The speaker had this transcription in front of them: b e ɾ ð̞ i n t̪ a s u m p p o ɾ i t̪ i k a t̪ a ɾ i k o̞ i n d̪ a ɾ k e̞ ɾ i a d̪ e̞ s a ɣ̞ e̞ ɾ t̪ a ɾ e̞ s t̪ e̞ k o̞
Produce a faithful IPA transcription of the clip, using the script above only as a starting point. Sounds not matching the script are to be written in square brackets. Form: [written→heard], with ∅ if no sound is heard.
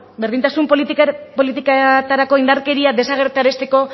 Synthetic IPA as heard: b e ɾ ð̞ i n t̪ a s u m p p o [ɾ→l] i t̪ i k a t̪ a ɾ [i→a] k o̞ i n d̪ a ɾ k e̞ ɾ i a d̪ e̞ s a ɣ̞ e̞ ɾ t̪ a ɾ e̞ s t̪ e̞ k o̞